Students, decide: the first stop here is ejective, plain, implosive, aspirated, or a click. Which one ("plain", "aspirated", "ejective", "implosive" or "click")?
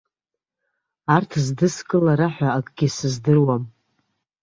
aspirated